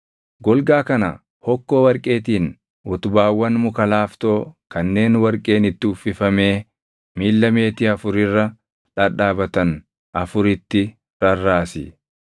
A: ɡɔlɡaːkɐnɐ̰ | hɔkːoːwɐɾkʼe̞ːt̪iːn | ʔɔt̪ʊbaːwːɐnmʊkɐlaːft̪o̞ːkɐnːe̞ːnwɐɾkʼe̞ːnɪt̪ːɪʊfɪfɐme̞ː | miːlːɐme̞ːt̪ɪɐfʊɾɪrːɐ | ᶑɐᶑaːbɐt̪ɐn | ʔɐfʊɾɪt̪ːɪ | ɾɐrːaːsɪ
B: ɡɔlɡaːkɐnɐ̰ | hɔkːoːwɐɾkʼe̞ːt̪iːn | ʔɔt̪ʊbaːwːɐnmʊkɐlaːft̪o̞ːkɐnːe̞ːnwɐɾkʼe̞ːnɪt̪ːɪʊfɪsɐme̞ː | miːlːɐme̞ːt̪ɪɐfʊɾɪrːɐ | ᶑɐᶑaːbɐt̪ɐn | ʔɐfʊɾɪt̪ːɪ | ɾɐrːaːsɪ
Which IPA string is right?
A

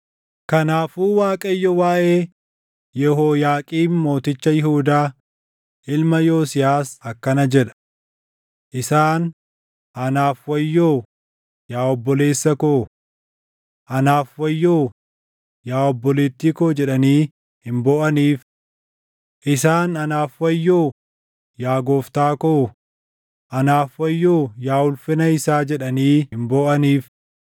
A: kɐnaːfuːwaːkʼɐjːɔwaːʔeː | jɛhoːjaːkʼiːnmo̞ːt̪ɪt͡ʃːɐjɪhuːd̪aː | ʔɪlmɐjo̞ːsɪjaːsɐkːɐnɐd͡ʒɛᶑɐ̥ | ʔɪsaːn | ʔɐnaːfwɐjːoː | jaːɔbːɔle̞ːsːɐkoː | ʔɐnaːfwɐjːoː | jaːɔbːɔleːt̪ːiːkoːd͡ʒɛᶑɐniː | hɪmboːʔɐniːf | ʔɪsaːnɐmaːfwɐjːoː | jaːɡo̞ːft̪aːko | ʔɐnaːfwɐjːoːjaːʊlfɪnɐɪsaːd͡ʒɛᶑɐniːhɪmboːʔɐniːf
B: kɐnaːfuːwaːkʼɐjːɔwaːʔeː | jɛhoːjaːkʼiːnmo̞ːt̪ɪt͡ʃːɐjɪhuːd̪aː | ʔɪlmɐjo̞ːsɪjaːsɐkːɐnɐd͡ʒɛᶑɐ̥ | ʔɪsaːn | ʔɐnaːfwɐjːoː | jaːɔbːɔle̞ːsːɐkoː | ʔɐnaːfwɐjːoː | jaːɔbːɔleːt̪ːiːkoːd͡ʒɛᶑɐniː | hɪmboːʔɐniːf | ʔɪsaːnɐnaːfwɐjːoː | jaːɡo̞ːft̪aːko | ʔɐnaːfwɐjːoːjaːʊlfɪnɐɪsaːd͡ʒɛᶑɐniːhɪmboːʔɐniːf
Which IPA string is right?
B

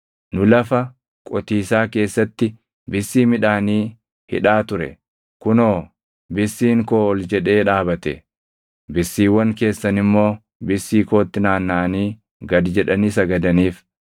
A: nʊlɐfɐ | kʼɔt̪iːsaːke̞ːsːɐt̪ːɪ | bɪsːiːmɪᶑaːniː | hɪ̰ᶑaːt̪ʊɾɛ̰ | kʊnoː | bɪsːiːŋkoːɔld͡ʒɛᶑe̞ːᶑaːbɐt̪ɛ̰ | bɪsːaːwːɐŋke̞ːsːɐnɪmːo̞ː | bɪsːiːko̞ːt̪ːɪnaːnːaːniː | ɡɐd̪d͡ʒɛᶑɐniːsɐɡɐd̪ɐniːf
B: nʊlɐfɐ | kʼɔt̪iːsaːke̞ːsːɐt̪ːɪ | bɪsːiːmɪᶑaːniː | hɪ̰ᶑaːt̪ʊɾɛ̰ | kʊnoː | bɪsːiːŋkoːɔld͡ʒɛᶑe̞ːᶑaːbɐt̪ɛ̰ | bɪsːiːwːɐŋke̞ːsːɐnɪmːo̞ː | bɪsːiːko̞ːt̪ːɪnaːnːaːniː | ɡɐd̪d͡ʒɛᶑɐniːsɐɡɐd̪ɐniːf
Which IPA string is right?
B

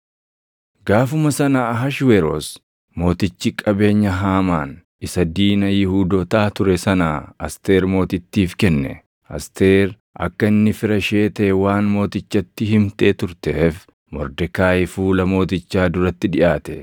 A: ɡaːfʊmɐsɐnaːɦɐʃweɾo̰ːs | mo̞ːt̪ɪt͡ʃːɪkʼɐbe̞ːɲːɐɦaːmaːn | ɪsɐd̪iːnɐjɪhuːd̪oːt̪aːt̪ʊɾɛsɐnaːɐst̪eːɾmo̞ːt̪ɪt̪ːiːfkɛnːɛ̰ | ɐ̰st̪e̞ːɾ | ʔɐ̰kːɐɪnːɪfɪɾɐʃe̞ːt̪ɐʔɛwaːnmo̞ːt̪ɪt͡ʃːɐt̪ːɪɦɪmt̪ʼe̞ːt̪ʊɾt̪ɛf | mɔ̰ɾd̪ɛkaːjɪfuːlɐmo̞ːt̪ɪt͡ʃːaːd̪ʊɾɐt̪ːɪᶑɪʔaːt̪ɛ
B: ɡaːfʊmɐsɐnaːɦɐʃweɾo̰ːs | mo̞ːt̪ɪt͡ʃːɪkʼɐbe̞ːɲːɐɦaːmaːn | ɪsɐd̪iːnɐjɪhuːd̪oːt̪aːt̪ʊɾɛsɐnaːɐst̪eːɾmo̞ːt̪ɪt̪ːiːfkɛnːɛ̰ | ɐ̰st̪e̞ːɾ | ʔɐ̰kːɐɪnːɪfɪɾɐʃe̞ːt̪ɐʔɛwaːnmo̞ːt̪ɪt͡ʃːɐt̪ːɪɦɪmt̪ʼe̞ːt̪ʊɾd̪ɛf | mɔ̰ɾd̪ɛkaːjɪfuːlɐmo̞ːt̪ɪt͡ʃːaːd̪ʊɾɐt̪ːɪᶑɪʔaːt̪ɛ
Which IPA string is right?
A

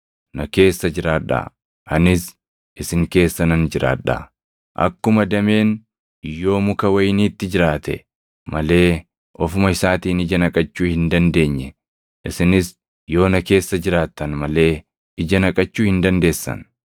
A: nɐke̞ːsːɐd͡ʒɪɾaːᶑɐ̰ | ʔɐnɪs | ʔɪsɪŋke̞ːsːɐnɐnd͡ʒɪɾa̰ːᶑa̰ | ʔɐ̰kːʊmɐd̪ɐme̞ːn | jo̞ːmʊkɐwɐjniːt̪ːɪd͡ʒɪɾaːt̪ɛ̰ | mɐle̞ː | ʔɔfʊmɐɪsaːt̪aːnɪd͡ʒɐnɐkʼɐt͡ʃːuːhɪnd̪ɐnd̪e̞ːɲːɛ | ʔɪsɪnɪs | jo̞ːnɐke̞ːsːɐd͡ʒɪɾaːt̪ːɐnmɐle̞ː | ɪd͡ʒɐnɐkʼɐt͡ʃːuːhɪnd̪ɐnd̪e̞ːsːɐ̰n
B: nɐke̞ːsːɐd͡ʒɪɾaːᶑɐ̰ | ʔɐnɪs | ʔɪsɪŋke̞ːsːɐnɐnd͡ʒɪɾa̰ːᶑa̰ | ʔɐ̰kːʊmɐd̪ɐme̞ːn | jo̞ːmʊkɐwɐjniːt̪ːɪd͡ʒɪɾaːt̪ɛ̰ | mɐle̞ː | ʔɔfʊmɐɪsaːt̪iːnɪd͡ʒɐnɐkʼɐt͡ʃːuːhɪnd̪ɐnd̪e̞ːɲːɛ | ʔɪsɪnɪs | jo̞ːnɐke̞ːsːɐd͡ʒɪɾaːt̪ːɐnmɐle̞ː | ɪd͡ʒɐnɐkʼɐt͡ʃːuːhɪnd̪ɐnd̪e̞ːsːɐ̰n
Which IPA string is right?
B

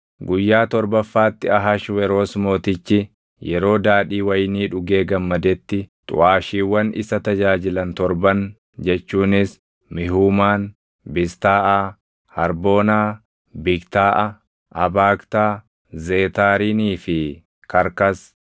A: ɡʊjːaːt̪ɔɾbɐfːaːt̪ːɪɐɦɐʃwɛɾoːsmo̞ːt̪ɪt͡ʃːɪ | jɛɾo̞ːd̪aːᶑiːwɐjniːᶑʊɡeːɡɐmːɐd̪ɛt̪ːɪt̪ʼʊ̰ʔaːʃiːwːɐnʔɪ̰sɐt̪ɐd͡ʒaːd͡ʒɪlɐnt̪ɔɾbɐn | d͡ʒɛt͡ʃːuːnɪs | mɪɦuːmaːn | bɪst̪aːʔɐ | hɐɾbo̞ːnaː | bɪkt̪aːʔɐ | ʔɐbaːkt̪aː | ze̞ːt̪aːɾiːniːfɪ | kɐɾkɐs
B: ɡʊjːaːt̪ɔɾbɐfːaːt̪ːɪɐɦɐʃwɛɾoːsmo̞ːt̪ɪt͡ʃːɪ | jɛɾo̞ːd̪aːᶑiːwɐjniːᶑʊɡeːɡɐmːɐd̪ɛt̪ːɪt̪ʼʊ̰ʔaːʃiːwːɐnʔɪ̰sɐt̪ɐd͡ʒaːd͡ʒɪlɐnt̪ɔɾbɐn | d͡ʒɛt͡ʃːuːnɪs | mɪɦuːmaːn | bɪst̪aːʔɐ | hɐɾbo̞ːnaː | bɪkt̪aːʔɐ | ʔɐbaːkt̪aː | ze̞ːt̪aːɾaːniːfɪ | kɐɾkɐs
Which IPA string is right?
A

